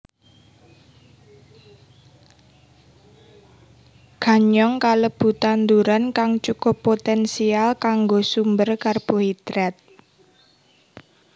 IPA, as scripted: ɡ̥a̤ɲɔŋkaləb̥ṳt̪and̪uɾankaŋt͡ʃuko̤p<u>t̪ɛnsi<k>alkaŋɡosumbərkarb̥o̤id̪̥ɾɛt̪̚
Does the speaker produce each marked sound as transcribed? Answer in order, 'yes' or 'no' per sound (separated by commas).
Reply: no, no